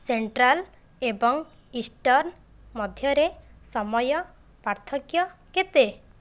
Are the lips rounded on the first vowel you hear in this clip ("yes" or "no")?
no